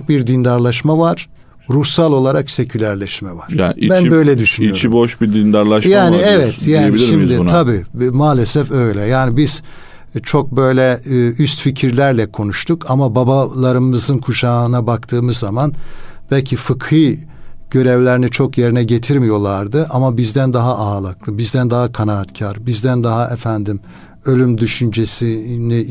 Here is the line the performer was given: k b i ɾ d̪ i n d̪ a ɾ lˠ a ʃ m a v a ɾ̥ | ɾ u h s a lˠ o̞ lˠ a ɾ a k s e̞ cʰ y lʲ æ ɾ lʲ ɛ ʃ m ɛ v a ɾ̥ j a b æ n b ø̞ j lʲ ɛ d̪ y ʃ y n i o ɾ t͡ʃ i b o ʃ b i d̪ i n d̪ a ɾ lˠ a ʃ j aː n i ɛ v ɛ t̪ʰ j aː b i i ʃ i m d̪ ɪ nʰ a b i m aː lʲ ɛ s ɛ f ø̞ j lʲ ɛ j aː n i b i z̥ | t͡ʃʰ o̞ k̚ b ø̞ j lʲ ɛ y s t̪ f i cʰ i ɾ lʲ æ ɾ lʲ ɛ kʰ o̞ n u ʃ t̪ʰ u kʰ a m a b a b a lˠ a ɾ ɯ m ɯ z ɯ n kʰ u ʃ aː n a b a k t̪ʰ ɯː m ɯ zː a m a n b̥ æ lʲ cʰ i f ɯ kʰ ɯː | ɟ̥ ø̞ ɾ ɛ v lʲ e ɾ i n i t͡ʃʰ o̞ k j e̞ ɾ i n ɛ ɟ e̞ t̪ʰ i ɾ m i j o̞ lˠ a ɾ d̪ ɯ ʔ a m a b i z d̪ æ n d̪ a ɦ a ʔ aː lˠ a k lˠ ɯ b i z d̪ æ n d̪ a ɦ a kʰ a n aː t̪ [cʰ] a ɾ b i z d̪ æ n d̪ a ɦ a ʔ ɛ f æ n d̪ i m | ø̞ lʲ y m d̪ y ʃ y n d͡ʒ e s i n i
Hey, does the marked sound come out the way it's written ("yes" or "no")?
yes